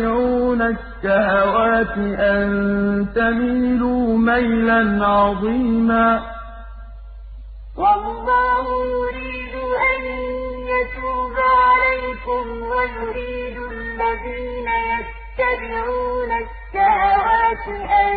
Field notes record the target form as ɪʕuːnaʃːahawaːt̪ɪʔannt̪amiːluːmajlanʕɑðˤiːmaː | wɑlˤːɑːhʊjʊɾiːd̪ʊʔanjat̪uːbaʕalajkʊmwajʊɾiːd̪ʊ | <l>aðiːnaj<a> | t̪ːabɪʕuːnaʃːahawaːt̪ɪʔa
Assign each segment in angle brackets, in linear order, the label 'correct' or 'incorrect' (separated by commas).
incorrect, correct